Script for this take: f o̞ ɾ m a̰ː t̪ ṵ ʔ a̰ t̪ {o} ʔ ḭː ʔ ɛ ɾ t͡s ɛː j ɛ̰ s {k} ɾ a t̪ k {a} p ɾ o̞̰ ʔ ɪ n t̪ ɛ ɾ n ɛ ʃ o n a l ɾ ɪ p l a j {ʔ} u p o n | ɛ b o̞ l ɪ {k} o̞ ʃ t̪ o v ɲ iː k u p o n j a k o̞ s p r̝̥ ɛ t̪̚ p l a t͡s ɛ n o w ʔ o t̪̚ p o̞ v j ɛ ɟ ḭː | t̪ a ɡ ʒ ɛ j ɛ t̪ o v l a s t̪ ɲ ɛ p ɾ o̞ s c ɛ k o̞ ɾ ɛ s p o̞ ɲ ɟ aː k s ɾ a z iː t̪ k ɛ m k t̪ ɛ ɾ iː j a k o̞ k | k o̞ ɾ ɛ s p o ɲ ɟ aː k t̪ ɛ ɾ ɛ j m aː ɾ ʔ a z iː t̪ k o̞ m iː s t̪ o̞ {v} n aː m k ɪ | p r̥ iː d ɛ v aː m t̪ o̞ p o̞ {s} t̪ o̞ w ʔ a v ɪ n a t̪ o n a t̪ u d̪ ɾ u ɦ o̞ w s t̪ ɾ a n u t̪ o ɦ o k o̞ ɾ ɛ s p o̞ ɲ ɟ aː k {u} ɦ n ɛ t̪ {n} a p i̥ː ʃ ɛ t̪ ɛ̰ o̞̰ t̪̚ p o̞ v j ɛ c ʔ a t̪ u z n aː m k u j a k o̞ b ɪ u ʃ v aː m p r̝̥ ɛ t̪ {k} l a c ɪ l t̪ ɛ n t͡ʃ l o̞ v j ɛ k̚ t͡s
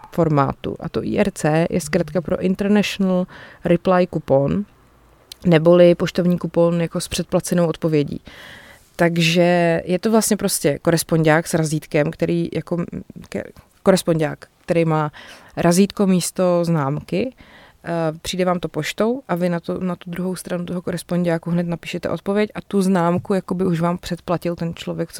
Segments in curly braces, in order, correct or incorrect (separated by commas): correct, correct, correct, incorrect, incorrect, incorrect, incorrect, correct, correct, incorrect